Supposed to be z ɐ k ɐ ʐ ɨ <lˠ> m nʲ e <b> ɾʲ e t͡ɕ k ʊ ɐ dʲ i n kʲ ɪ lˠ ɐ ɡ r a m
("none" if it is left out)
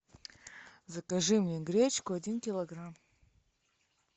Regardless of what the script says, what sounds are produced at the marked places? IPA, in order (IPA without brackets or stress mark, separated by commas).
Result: none, ɡ